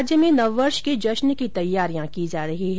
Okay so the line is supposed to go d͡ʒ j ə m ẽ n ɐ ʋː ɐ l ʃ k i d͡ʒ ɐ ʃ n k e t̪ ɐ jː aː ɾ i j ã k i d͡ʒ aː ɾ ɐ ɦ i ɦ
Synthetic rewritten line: d͡ʒ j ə m ẽ n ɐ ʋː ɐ ɾ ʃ k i d͡ʒ ɐ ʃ n k i t̪ ɐ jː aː ɾ i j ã k i d͡ʒ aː ɾ ɐ ɦ i ɦ

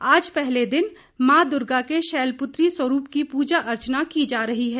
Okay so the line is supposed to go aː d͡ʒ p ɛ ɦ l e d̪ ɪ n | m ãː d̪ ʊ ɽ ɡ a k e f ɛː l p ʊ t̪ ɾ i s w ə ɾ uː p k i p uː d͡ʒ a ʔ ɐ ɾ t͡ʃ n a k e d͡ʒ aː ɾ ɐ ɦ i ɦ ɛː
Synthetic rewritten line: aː d͡ʒ p ɛ ɦ l e d̪ ɪ n | m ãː d̪ ʊ ɾ ɡ a k e ʃ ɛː l p ʊ t̪ ɾ i s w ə ɾ uː p k i p uː d͡ʒ a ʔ ɐ ɾ t͡ʃ n a k i d͡ʒ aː ɾ ɐ ɦ i ɦ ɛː

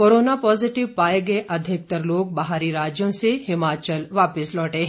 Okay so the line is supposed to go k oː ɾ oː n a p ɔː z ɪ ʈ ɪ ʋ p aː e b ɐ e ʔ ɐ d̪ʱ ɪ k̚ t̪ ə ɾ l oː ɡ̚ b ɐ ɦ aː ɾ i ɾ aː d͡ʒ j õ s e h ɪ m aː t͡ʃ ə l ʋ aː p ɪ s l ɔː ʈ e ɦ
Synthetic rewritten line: k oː ɾ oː n a p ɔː z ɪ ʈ ɪ ʋ p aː e ɡ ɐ e ʔ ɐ d̪ʱ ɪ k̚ t̪ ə ɾ l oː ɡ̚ b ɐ ɦ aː ɾ i ɾ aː d͡ʒ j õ s e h ɪ m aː t͡ʃ ə l ʋ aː p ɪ s l ɔː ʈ e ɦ

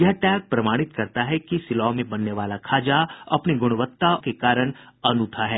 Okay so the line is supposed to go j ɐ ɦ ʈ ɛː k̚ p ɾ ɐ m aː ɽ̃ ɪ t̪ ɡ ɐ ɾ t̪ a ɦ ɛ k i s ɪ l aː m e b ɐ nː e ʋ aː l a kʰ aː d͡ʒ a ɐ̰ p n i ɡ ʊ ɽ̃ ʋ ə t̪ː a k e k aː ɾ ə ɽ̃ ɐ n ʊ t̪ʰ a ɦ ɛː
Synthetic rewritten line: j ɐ ɦ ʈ ɛː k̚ p ɾ ɐ m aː ɽ̃ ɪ t̪ k ɐ ɾ t̪ a ɦ ɛ k i s ɪ l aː m ẽ b ɐ nː e ʋ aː l a kʰ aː d͡ʒ a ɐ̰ p n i ɡ ʊ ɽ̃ ʋ ə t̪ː a k e k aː ɾ ə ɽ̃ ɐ n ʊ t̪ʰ a ɦ ɛː

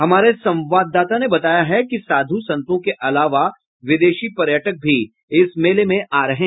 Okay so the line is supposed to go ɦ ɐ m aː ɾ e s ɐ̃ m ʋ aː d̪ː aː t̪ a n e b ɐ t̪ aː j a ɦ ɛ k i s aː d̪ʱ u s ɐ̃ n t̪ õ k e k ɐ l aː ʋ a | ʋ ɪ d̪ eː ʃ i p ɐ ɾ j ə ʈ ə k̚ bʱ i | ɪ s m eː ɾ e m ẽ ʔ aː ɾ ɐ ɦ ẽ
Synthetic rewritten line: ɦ ɐ m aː ɾ e s ɐ̃ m ʋ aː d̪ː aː t̪ a n e b ɐ t̪ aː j a ɦ ɛ k i s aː d̪ʱ u s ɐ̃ n t̪ õ k e ʔ ɐ l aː ʋ a | ʋ ɪ d̪ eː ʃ i p ɐ ɾ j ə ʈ ə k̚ bʱ i | ɪ s m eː l e m ẽ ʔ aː ɾ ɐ ɦ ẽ

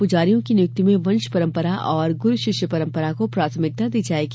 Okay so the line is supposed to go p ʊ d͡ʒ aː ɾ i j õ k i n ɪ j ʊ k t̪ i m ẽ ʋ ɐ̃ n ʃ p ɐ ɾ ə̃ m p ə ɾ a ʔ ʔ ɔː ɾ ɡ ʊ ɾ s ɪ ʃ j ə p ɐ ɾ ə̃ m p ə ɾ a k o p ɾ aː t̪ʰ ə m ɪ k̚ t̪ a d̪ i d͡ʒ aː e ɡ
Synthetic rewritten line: p ʊ d͡ʒ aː ɾ i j õ k i n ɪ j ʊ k t̪ i m ẽ ʋ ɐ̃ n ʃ p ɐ ɾ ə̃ m p ə ɾ a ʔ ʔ ɔː ɾ ɡ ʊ ɾ ʃ ɪ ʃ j ə p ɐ ɾ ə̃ m p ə ɾ a k o p ɾ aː t̪ʰ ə m ɪ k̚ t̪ a d̪ iː d͡ʒ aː e ɡ

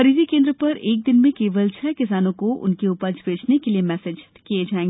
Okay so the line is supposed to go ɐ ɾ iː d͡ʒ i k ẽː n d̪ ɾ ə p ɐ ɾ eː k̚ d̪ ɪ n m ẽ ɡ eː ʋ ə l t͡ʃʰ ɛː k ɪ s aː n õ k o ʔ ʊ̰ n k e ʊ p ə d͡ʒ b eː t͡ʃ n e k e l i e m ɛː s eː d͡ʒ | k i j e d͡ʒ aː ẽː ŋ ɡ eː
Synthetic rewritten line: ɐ ɾ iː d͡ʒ i k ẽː n d̪ ɾ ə p ɐ ɾ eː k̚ d̪ ɪ n m ẽ k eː ʋ ə l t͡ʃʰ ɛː k ɪ s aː n õ k o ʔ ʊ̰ n k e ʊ p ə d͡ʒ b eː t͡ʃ n e k e l i e m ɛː s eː d͡ʒ | k i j e d͡ʒ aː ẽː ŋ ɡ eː

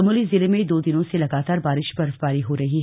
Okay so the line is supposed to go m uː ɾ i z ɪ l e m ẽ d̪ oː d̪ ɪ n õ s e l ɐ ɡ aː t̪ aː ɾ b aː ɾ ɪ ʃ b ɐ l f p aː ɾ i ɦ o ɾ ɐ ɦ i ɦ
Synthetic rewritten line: m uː l i z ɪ l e m ẽ d̪ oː d̪ ɪ n õ s e l ɐ ɡ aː t̪ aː ɾ b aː ɾ ɪ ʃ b ɐ ɾ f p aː ɾ i ɦ o ɾ ɐ ɦ i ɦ

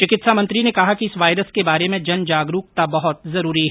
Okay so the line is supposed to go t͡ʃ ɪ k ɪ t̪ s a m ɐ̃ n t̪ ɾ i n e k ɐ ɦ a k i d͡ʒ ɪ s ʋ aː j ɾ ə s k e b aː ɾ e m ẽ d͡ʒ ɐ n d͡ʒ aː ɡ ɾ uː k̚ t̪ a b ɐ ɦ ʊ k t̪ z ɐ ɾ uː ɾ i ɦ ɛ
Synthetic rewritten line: t͡ʃ ɪ k ɪ t̪ s a m ɐ̃ n t̪ ɾ i n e k ɐ ɦ a k i ɪ s ʋ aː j ɾ ə s k e b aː ɾ e m ẽ d͡ʒ ɐ n d͡ʒ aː ɡ ɾ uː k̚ t̪ a b ɐ ɦ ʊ t̪ z ɐ ɾ uː ɾ i ɦ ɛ

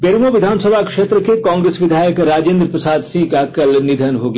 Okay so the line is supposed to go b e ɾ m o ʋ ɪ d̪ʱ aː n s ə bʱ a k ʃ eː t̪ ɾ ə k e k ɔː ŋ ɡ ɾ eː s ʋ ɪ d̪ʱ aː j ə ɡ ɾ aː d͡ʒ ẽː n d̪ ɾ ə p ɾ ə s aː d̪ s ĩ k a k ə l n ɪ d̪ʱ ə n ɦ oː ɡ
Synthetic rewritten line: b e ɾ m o ʋ ɪ d̪ʱ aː n s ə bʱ a k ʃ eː t̪ ɾ ə k e k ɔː ŋ ɡ ɾ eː s ʋ ɪ d̪ʱ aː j ə k ɾ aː d͡ʒ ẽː n d̪ ɾ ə p ɾ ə s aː d̪ s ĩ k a k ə l n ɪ d̪ʱ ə n ɦ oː ɡ

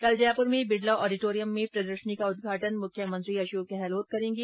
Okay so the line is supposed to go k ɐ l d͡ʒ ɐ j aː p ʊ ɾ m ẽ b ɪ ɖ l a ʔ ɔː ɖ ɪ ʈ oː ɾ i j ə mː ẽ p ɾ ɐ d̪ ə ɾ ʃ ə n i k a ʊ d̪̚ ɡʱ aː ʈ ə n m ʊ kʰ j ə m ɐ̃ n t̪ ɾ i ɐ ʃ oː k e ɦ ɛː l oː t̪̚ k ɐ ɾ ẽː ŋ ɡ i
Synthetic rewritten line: k ɐ l d͡ʒ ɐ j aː p ʊ ɾ m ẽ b ɪ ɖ l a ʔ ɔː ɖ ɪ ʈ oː ɾ i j ə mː ẽ p ɾ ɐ d̪ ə ɾ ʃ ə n i k a ʊ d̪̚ ɡʱ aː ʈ ə n m ʊ kʰ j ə m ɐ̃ n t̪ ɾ i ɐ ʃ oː k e ɦ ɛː l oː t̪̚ k ɐ ɾ ẽː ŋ ɡ i

